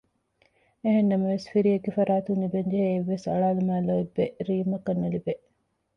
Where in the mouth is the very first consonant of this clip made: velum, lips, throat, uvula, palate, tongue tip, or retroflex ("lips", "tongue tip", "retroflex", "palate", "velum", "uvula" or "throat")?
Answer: throat